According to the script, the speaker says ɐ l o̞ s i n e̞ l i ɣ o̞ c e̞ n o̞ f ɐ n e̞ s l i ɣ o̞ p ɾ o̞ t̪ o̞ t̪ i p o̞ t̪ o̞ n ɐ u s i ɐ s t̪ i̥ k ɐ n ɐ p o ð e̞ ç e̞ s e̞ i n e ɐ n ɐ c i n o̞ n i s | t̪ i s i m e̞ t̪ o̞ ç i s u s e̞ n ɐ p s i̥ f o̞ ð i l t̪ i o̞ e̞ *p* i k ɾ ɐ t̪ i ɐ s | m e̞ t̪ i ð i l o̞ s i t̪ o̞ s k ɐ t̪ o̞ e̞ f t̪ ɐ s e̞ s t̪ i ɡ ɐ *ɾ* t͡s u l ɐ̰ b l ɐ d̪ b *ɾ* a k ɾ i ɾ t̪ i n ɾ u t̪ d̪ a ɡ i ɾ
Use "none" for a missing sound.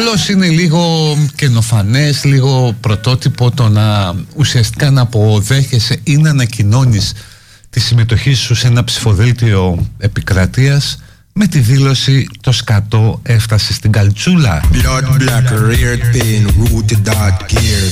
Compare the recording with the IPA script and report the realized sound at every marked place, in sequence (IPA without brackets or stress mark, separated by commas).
p, l, l